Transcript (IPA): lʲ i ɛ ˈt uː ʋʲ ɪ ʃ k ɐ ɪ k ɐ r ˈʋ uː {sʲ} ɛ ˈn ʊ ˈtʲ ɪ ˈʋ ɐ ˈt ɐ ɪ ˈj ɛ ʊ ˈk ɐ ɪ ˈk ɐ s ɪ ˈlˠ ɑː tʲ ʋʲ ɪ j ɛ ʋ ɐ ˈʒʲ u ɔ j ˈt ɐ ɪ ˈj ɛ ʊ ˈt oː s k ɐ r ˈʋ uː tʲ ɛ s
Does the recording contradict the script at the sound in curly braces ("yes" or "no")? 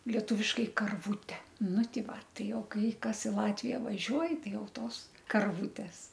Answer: yes